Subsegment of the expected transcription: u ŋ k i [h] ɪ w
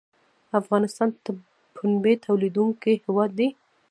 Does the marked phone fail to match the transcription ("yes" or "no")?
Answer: no